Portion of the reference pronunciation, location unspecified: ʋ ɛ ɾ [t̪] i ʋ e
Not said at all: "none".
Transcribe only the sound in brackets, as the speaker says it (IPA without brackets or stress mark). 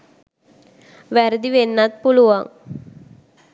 d̪